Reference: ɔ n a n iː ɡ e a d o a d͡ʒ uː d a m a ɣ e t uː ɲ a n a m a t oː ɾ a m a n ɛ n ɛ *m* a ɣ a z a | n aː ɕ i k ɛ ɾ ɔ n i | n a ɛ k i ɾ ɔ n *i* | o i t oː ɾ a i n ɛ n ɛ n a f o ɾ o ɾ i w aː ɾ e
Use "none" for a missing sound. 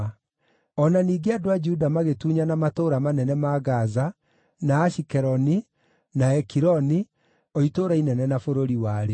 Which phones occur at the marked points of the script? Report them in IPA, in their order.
m, i

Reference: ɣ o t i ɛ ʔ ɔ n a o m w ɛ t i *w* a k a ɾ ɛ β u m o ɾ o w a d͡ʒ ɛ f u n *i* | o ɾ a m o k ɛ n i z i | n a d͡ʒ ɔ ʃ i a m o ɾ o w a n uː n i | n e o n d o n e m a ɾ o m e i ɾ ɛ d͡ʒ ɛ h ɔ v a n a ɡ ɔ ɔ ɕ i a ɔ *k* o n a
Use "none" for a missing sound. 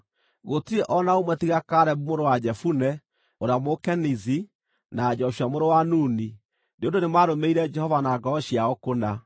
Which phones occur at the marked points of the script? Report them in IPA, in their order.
ɣ, ɛ, k

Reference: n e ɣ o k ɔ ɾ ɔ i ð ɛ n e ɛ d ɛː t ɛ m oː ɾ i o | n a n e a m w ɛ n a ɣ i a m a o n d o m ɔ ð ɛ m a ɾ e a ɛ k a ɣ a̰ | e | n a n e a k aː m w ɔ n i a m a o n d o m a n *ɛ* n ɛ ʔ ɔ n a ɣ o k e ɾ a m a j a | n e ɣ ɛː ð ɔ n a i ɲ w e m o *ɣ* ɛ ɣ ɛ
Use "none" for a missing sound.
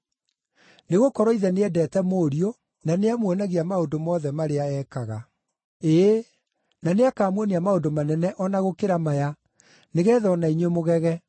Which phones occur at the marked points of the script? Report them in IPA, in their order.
ɛ, ɣ

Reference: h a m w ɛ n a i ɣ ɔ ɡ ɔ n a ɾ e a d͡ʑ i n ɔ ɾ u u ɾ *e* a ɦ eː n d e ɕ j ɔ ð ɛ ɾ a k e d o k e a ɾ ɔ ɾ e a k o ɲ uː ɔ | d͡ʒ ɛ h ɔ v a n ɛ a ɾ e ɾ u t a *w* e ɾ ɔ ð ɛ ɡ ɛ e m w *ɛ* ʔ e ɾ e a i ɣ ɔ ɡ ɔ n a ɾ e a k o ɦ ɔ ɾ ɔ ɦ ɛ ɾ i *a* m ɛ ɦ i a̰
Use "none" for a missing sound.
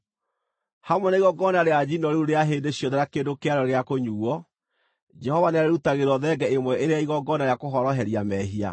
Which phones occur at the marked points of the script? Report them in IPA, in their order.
e, ɣ, ɛ, a

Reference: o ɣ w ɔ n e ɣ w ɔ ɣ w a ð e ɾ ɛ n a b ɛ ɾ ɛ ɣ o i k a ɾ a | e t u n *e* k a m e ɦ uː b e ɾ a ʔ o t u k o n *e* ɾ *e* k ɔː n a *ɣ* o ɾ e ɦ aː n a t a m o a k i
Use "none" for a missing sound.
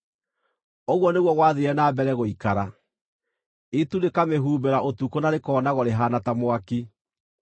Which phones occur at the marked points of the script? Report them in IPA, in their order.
e, a, e, ɣ

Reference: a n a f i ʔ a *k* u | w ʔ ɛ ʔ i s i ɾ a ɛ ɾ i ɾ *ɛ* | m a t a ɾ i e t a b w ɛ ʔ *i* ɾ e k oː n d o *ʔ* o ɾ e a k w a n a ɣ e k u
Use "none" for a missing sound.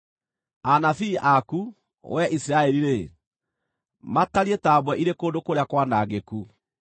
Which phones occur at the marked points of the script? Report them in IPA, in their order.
k, e, i, k

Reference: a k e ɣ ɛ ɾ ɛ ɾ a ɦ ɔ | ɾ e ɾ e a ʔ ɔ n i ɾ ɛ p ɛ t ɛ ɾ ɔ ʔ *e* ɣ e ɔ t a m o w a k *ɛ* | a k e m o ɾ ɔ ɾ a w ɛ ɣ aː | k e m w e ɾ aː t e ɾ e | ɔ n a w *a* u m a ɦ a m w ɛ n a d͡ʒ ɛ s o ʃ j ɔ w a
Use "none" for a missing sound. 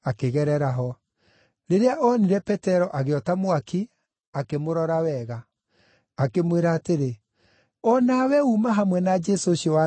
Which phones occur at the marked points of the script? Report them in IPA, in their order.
a, i, ɛ

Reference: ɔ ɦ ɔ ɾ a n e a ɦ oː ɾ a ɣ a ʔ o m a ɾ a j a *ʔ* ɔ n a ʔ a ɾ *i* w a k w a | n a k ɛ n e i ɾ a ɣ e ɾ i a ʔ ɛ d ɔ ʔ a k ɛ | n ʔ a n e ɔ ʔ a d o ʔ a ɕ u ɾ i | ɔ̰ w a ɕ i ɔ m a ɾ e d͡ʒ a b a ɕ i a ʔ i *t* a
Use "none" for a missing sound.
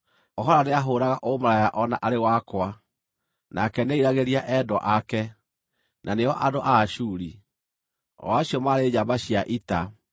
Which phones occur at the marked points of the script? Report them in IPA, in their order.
ʔ, e, t

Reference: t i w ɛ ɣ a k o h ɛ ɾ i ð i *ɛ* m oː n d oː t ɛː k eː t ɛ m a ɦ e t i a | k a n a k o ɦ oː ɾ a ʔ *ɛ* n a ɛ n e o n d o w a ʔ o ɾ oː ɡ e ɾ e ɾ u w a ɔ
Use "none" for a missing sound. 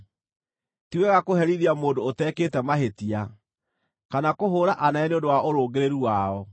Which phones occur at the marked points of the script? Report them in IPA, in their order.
a, a

